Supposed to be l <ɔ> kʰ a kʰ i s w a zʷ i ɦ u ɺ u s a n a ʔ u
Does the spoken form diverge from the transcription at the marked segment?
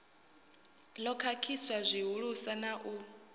no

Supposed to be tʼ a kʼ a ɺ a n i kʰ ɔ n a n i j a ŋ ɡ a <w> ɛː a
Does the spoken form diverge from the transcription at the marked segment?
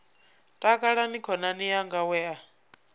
no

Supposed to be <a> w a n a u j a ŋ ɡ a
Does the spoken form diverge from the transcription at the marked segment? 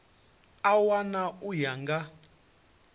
no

